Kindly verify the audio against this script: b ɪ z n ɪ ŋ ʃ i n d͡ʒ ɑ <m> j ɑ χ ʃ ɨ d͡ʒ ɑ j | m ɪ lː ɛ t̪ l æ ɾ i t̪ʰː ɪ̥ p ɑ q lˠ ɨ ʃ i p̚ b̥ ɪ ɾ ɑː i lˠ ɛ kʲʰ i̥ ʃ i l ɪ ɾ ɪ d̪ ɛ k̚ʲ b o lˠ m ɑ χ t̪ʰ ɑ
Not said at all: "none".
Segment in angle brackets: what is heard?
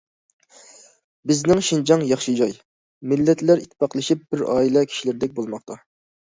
ŋ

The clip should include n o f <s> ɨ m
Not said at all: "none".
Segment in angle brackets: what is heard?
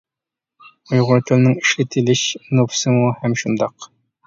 s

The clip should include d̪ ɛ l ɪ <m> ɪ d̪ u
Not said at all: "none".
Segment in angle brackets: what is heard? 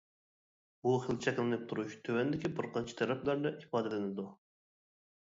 n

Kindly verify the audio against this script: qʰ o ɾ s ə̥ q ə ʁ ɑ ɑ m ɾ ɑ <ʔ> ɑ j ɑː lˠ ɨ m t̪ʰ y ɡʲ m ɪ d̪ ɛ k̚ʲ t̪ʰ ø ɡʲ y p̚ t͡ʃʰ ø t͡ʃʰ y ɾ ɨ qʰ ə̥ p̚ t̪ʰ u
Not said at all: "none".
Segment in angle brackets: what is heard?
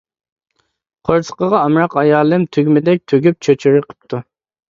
q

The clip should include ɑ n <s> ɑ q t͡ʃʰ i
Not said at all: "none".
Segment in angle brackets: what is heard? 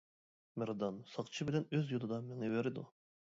s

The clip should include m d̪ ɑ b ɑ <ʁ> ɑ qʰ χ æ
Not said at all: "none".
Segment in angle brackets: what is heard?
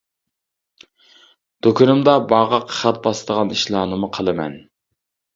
ʁ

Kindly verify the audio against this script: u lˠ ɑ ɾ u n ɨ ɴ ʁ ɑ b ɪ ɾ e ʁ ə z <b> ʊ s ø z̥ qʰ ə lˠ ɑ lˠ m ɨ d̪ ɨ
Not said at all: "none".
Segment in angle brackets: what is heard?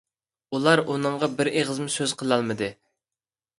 m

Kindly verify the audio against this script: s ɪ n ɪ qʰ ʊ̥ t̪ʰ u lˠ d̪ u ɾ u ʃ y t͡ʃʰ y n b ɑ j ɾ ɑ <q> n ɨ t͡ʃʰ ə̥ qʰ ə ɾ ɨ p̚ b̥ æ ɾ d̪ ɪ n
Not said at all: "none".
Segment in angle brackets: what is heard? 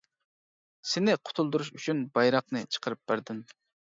q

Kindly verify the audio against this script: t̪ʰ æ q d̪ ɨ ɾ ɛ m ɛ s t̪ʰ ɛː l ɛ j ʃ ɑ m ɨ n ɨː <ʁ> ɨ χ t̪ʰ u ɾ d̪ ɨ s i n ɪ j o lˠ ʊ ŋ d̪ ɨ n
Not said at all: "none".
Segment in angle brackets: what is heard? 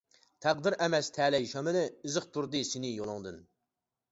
z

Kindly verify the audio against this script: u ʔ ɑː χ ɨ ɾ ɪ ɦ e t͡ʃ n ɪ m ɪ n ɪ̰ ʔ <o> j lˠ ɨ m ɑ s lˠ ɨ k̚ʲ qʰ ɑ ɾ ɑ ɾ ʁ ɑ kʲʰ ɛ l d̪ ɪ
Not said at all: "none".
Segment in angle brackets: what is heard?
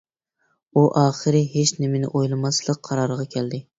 o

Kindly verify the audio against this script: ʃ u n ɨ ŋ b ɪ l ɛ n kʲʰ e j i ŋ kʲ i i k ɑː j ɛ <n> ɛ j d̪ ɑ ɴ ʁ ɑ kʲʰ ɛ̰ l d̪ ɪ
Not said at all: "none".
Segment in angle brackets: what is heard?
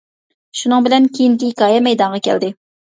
m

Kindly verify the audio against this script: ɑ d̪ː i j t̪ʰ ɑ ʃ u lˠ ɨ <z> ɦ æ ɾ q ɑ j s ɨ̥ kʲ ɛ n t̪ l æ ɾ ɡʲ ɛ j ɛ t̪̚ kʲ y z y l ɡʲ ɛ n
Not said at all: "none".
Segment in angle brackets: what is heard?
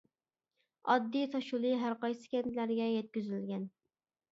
none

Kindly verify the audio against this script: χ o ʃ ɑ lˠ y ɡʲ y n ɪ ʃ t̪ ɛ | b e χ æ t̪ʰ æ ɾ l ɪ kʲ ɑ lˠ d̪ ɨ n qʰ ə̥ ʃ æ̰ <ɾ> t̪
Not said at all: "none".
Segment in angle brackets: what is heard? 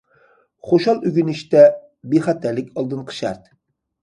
ɾ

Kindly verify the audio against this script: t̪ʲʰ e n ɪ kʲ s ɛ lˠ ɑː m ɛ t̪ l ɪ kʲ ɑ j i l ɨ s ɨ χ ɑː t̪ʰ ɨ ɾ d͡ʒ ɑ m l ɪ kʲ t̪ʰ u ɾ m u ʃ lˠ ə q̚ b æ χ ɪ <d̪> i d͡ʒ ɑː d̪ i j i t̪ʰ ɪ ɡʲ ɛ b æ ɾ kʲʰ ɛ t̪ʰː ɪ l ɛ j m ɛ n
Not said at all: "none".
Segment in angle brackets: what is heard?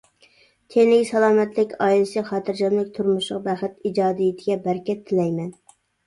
t̪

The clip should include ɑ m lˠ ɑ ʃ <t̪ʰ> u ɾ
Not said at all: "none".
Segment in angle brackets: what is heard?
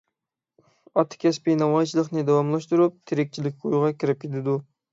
t̪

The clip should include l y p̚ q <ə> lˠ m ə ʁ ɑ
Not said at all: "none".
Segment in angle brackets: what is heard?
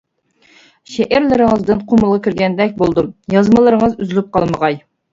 ɑ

